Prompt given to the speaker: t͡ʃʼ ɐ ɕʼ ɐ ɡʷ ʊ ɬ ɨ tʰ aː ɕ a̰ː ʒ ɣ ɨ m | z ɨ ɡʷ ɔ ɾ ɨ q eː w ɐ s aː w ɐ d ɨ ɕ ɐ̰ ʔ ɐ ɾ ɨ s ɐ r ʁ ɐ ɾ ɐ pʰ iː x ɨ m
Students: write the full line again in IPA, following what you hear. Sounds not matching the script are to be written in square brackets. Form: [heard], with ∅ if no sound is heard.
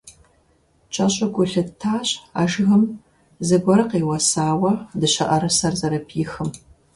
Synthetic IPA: t͡ʃʼ ɐ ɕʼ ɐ ɡʷ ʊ ɬ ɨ tʰ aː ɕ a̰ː ʒ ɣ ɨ m | z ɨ ɡʷ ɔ ɾ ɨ q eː w ɐ s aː w ɐ d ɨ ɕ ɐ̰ ʔ ɐ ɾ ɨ s ɐ r [z] ɐ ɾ ɐ pʰ iː x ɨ m